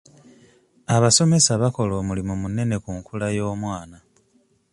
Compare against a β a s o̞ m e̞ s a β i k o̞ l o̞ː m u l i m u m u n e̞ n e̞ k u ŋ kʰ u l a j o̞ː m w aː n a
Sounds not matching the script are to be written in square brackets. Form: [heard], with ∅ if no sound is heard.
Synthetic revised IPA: a β a s o̞ m e̞ s a β [a] k o̞ l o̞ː m u l i m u m u n e̞ n e̞ k u ŋ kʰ u l a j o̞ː m w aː n a